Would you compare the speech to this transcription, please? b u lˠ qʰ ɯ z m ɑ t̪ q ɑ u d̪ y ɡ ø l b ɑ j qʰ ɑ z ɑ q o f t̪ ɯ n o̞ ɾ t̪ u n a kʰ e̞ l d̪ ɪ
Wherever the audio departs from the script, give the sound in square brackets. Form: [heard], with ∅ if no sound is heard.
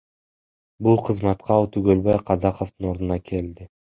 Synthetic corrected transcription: b u lˠ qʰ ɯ z m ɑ t̪ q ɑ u [t̪] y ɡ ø l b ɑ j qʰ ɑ z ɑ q o f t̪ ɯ n o̞ ɾ [d̪] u n [ɑ] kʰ e̞ l d̪ ɪ